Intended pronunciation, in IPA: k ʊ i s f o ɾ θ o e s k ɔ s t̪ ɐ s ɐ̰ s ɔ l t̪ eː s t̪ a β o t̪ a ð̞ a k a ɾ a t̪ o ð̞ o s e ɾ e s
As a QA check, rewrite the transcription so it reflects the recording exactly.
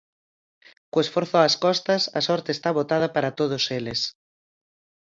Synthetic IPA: k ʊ e s f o ɾ θ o a s k ɔ s t̪ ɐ s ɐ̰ s ɔ ɾ t̪ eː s t̪ a β o t̪ a ð̞ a p a ɾ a t̪ o ð̞ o s e l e s

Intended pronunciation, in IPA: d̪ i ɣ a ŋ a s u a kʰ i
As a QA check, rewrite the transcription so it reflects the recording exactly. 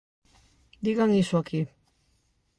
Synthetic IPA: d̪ i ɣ a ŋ i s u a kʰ i

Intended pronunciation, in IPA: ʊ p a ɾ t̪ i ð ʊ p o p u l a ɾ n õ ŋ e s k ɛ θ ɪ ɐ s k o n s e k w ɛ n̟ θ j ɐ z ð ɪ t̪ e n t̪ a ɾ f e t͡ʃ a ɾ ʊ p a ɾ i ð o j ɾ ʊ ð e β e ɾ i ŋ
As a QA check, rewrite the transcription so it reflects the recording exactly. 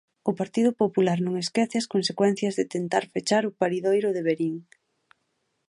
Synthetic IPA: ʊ p a ɾ t̪ i ð ʊ p o p u l a ɾ n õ ŋ e s k ɛ θ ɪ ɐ s k o n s e k w ɛ n̟ θ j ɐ z ð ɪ t̪ e n t̪ a ɾ f e t͡ʃ a ɾ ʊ p a ɾ i ð o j ɾ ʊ ð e β e ɾ i ŋ

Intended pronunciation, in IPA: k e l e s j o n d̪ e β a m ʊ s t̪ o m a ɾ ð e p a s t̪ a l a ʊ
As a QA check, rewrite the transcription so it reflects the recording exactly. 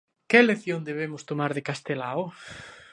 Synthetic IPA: k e l e θ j o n d̪ e β e m ʊ s t̪ o m a ɾ ð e k a s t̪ e l a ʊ

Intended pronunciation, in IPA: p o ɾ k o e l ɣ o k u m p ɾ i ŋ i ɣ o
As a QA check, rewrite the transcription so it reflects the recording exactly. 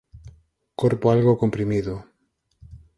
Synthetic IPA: k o ɾ p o a l ɣ o k o m p ɾ i m i ð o

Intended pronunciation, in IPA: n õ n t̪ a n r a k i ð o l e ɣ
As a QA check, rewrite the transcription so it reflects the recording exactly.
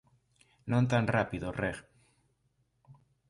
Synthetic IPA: n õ n t̪ a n r a p i ð o r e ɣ

